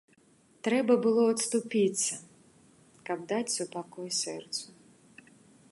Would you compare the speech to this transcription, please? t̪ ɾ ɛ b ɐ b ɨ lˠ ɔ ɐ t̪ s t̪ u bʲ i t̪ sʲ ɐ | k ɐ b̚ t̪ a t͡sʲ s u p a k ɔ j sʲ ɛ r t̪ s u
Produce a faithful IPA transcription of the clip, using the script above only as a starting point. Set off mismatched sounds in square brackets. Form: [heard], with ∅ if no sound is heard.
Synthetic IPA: t̪ ɾ ɛ b ɐ b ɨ lˠ ɔ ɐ t̪ s t̪ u [pʲ] i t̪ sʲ ɐ | k ɐ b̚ [d̪] a t͡sʲ s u p a k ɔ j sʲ ɛ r t̪ s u

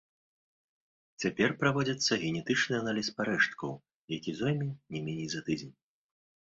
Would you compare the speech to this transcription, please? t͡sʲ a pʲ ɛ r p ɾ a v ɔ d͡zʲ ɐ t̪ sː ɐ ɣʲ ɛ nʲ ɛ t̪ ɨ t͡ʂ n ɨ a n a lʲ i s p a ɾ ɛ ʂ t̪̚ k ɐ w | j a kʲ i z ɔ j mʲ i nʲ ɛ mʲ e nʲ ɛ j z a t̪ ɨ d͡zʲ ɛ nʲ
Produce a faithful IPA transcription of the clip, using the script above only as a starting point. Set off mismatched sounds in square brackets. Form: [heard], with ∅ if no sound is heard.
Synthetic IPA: t͡sʲ a pʲ ɛ r p ɾ a v ɔ d͡zʲ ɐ t̪ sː ɐ ɣʲ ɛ nʲ ɛ t̪ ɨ t͡ʂ n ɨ a n a lʲ i s p a ɾ ɛ ʂ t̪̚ k ɐ w | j a kʲ i z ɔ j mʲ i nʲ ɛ mʲ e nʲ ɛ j z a t̪ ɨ d͡zʲ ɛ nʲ

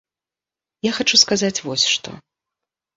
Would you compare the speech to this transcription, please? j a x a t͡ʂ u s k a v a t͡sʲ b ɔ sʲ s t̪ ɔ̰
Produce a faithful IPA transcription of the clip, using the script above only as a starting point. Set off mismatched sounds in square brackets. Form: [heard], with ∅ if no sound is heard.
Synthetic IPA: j a x a t͡ʂ u s k a [z] a t͡sʲ [v] ɔ sʲ [ʂ] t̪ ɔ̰

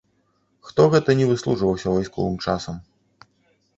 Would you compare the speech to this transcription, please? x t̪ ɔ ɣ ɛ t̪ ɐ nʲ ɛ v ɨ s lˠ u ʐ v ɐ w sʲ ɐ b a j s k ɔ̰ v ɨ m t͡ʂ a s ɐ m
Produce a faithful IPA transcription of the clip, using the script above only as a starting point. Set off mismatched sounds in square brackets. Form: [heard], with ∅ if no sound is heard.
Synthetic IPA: x t̪ ɔ ɣ ɛ t̪ ɐ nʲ ɛ v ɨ s lˠ u ʐ v ɐ w sʲ ɐ [v] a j s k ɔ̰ v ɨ m t͡ʂ a s ɐ m

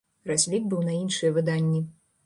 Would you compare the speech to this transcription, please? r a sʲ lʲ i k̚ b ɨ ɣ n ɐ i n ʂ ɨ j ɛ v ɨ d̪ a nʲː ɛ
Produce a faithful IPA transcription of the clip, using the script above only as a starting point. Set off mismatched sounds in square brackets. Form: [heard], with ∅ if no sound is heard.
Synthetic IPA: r a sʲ lʲ i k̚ b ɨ [w] n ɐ i n ʂ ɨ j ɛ v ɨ d̪ a nʲː [i]

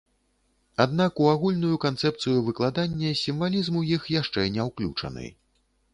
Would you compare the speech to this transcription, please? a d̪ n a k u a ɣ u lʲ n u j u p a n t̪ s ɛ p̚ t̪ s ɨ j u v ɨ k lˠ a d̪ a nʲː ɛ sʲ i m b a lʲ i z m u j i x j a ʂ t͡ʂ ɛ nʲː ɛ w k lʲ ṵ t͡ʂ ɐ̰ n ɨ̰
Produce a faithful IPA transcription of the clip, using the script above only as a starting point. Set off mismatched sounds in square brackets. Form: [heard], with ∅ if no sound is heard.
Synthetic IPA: a d̪ n a k u a ɣ u lʲ n u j u [k] a n t̪ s ɛ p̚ t̪ s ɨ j u v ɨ k lˠ a d̪ a nʲː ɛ sʲ i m [v] a lʲ i z m u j i x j a ʂ t͡ʂ ɛ [nʲ] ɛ w k lʲ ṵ t͡ʂ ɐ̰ n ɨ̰

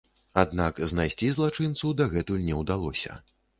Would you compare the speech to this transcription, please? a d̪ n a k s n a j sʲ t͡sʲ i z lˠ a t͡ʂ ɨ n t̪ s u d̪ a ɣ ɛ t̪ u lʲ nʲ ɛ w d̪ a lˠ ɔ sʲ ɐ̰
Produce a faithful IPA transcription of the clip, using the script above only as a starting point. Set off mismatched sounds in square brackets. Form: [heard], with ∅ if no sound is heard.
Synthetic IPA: a d̪ n a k [z] n a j sʲ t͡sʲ i z lˠ a t͡ʂ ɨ n t̪ s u d̪ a ɣ ɛ t̪ u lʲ nʲ ɛ w d̪ a lˠ ɔ sʲ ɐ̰

